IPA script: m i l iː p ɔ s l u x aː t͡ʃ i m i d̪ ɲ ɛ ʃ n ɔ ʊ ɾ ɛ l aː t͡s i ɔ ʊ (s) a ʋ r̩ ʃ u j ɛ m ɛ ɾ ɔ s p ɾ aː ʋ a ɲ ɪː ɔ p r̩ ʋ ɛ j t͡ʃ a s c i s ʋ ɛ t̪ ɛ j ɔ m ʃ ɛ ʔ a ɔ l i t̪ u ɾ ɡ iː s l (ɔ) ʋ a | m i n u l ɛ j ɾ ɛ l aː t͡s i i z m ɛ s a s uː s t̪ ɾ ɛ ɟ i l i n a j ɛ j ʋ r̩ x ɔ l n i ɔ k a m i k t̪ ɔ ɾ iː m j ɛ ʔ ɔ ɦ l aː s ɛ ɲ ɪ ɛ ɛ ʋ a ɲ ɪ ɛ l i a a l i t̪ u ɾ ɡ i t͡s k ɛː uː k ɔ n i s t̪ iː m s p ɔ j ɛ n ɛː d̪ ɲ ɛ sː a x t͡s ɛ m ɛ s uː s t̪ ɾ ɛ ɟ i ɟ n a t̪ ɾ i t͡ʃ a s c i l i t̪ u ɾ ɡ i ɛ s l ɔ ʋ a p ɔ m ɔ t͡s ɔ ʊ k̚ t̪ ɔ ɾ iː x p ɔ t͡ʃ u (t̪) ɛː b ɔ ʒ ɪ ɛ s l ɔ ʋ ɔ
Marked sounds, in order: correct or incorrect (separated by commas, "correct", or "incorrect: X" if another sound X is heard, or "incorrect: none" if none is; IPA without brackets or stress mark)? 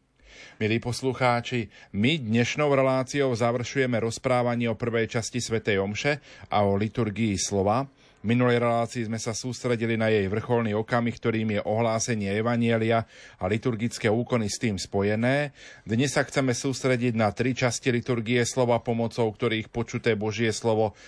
incorrect: z, correct, correct